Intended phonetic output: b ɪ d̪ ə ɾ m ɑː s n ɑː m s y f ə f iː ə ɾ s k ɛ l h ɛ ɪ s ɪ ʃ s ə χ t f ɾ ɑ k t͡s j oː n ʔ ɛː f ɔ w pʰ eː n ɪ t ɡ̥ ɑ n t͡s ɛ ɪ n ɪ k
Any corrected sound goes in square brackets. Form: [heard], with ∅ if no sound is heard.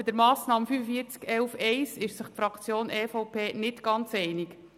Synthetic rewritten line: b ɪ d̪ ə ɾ m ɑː s n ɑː m [f] y f ə f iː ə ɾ [t͡s] k ɛ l [f] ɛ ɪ s ɪ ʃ s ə χ t f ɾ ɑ k t͡s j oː n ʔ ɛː f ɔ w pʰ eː n ɪ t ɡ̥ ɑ n t͡s ɛ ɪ n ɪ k